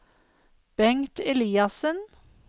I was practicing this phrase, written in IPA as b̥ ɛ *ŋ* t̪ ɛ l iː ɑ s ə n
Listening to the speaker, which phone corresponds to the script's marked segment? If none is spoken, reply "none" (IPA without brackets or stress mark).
ŋ